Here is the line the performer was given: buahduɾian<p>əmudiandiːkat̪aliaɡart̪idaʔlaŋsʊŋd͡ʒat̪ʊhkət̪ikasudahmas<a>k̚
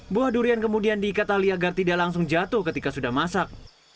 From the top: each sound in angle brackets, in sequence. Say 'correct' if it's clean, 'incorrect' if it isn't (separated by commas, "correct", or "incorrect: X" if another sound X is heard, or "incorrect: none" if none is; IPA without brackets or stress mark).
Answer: incorrect: k, correct